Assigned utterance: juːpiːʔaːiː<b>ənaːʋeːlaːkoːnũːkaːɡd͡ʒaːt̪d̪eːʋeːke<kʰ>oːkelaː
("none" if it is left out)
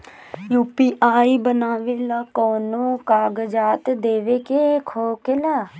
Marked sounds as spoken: b, kʰ

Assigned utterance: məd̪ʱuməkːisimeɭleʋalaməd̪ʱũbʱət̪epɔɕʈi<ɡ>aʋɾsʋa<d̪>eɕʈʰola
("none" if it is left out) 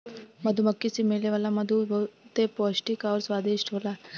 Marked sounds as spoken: k, d̪

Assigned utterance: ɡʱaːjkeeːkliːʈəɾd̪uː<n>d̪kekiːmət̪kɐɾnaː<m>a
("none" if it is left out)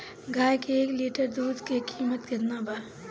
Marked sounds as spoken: none, b

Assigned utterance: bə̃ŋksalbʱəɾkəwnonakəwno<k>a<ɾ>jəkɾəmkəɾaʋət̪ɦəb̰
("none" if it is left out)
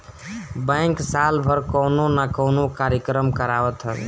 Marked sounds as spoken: k, ɾ

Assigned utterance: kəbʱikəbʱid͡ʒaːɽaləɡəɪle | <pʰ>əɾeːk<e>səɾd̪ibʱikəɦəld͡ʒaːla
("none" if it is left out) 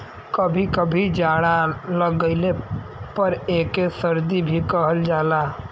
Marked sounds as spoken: p, e

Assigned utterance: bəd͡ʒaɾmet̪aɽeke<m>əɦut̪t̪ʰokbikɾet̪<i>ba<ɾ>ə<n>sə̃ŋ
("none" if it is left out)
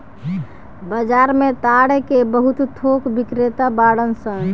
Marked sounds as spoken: b, a, ɽ, n

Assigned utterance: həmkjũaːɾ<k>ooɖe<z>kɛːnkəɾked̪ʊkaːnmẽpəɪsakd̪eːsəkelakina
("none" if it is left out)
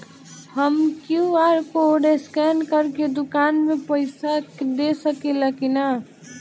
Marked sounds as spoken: k, s

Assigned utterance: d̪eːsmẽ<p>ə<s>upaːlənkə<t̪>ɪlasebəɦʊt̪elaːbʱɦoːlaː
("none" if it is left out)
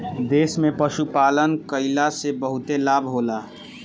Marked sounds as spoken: p, ʃ, none

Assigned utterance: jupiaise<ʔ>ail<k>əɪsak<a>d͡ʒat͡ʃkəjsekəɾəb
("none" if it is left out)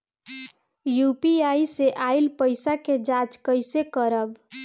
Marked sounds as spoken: ʔ, p, e

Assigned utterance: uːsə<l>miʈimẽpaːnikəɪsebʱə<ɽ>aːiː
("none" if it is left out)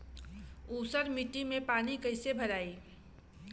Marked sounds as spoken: ɾ, ɾ

